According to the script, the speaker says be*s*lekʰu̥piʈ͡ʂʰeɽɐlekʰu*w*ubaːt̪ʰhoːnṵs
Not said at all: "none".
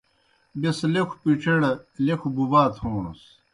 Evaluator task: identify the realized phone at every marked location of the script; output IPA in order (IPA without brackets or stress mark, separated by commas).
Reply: s, b